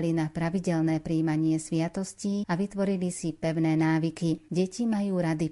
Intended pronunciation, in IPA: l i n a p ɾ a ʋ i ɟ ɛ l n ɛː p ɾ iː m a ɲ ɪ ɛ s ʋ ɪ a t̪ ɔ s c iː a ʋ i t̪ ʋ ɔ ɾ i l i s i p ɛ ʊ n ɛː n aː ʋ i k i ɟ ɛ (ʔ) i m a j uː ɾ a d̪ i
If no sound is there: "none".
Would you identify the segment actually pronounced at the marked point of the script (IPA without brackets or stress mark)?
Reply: c